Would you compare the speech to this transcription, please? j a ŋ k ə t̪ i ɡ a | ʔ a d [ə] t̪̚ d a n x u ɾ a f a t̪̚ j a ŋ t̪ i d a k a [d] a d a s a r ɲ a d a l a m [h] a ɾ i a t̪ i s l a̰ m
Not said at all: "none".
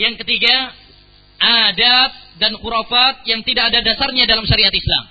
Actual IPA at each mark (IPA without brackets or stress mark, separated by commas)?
a, d, ʃ